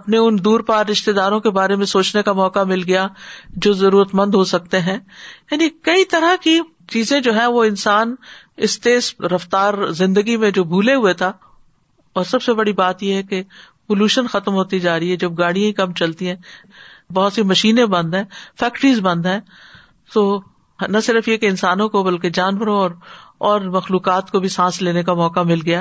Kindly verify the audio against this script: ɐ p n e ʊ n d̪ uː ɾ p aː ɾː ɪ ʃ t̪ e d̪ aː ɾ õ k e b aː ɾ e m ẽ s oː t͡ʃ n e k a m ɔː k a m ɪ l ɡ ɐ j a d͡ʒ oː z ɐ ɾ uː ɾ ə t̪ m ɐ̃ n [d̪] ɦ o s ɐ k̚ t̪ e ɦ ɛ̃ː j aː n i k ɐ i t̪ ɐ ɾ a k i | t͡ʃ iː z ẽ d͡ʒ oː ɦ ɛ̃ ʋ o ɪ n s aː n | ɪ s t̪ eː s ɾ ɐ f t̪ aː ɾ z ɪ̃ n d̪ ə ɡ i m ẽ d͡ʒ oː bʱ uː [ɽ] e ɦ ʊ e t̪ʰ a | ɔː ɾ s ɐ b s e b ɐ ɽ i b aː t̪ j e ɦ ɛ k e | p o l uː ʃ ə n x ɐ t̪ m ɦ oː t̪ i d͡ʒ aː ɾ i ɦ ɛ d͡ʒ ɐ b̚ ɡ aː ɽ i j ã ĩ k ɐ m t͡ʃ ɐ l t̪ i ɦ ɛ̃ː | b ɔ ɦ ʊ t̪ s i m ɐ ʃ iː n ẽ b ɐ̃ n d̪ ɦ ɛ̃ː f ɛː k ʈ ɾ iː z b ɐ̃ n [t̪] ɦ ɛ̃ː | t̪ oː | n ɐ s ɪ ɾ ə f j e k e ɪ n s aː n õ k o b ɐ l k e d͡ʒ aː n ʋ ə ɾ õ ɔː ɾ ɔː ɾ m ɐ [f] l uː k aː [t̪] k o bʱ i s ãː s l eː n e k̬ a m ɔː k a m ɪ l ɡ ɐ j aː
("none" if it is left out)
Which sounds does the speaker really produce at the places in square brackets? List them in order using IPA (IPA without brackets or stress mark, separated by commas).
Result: d̪, l, d̪, x, t̪